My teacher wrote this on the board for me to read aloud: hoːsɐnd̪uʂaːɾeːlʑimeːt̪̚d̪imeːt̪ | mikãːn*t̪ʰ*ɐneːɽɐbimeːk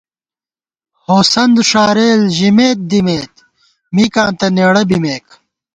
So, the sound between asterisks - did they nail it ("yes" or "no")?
no